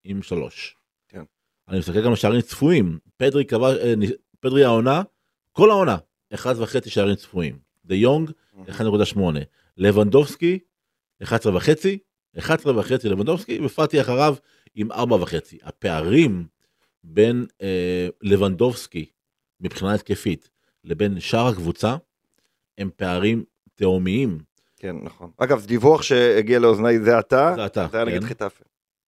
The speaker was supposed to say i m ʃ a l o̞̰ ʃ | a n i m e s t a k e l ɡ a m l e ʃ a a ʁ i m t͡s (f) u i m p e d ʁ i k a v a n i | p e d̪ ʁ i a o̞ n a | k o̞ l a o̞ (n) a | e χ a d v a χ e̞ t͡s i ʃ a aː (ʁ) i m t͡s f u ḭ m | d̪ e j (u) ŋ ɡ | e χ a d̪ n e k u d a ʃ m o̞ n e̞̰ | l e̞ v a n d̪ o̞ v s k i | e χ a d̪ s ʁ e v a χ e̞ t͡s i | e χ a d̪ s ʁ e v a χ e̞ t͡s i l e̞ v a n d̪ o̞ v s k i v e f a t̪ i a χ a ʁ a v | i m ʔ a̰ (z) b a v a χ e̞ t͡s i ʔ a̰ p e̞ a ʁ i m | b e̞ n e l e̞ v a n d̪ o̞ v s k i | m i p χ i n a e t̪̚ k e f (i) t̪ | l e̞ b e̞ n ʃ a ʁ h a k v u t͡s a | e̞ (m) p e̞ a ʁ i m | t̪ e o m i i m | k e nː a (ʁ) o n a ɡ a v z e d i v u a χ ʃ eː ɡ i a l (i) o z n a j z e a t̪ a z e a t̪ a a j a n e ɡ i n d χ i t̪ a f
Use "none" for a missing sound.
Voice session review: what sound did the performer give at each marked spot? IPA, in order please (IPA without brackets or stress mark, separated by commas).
f, n, ʁ, o, ʁ, i, m, χ, e